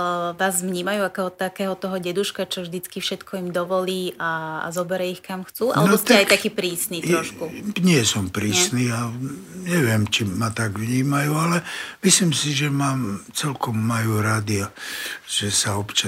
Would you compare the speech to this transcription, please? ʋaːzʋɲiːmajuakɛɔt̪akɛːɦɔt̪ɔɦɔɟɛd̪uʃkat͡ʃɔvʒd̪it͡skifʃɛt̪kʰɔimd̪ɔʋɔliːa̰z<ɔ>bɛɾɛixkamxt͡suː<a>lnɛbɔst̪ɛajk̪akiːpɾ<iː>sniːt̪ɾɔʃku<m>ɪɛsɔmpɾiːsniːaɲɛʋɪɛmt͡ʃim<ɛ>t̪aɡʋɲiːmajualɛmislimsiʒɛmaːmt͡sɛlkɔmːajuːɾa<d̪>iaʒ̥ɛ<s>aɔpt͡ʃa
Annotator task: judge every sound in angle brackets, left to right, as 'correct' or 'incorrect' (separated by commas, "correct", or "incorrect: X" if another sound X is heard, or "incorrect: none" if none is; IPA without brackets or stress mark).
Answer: correct, correct, correct, incorrect: ɲ, incorrect: a, correct, correct